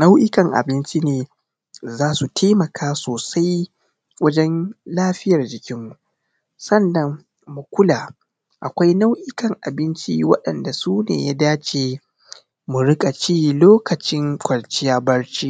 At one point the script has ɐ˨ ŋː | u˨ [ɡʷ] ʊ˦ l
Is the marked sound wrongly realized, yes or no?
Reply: yes